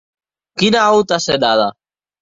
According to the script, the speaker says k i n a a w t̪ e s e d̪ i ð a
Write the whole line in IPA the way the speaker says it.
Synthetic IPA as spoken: k i n a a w t̪ a s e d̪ a ð a